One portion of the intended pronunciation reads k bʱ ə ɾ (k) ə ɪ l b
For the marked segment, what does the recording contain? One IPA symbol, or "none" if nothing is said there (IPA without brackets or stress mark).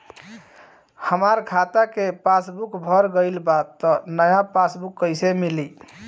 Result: ɡ